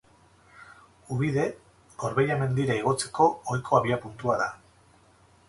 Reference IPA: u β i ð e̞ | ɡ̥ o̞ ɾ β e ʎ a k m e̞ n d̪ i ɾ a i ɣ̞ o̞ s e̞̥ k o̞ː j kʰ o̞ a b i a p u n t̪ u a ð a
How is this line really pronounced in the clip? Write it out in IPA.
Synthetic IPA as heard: u β i ð e̞ | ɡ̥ o̞ ɾ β e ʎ a m e̞ n d̪ i ɾ a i ɣ̞ o̞ t͡s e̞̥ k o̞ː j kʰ o̞ a β i a p u n t̪ u a ð a